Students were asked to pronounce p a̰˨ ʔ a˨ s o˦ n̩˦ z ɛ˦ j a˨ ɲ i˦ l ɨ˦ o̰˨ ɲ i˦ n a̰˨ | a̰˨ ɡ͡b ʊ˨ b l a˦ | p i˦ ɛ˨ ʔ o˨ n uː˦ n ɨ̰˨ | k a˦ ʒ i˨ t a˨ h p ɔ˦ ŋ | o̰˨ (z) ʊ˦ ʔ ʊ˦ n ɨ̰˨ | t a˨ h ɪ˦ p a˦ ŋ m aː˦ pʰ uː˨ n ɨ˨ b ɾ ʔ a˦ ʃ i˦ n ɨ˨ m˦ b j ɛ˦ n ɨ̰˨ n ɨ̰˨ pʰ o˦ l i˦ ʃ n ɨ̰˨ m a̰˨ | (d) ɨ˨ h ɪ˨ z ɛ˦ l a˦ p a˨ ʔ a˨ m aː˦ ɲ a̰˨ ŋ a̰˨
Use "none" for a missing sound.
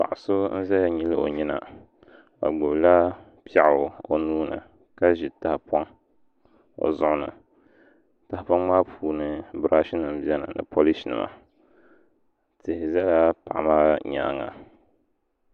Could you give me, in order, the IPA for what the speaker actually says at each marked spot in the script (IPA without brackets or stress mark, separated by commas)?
z, t